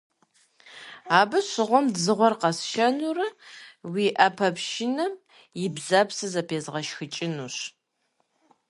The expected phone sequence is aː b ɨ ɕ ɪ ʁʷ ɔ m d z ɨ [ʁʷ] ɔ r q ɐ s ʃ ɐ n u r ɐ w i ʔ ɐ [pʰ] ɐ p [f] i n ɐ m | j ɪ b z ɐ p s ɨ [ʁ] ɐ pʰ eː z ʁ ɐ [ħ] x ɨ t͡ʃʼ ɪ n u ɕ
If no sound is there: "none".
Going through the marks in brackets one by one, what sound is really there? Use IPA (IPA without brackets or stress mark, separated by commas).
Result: ʁʷ, pʰ, ʃ, z, ʃ